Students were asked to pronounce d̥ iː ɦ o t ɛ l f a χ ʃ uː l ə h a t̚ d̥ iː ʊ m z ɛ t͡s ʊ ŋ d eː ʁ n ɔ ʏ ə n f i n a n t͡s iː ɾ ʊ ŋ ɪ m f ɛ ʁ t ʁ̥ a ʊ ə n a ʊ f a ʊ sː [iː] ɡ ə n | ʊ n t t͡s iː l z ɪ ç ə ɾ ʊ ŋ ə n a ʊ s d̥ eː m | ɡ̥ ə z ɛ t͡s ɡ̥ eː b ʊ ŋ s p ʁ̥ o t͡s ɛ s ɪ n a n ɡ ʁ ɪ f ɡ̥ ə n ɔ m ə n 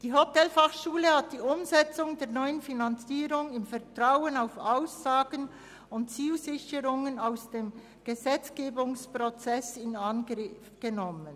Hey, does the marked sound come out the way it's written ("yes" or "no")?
no